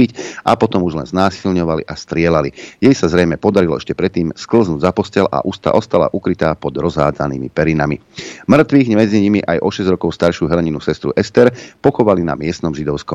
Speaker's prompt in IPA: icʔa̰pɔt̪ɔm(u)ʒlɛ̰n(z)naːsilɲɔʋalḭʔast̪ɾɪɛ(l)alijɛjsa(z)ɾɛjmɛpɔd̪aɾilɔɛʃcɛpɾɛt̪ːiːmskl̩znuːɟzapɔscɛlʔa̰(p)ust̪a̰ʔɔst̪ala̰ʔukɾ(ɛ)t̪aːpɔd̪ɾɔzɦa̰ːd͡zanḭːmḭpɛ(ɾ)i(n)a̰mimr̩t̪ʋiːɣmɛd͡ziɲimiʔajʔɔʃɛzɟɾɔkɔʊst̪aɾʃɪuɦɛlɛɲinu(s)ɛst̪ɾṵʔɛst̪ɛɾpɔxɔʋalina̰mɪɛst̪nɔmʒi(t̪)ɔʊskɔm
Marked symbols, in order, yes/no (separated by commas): yes, yes, yes, yes, no, no, yes, yes, yes, no